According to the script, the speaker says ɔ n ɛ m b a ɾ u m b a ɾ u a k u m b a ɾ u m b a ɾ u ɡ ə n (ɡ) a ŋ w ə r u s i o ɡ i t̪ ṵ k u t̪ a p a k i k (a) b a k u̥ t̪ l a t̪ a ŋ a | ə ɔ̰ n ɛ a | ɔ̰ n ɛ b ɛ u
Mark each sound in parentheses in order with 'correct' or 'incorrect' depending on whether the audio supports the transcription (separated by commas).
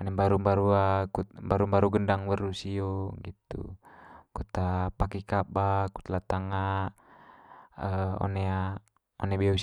incorrect, correct